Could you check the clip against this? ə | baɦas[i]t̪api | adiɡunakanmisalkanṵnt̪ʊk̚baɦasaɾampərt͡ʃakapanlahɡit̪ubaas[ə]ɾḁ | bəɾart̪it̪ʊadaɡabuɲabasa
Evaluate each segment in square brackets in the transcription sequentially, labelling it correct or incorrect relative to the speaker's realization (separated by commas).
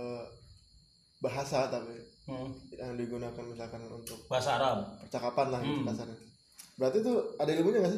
incorrect, incorrect